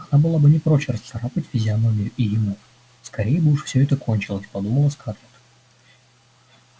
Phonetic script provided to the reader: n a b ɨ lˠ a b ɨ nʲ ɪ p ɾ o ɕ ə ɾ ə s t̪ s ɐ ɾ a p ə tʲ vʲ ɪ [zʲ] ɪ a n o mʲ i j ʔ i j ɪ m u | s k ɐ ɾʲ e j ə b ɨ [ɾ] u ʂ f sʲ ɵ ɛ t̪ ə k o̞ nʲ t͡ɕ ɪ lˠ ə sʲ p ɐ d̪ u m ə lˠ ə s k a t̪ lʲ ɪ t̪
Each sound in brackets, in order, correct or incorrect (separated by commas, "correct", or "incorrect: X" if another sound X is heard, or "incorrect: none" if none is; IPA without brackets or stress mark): correct, incorrect: none